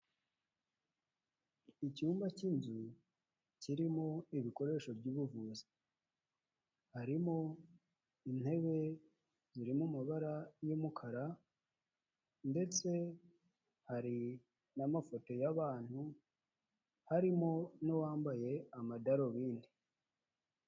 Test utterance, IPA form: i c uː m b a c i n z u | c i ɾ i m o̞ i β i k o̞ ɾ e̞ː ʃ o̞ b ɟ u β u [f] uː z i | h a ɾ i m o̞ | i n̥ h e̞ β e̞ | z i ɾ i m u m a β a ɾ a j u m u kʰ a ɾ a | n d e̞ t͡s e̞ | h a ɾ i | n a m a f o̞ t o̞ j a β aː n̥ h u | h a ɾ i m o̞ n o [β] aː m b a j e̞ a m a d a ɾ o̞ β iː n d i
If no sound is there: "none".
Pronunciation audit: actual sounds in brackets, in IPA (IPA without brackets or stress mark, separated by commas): v, w